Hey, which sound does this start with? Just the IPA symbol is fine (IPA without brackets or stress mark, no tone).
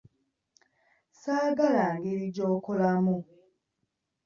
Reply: s